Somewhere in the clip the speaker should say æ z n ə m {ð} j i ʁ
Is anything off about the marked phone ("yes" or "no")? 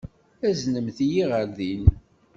yes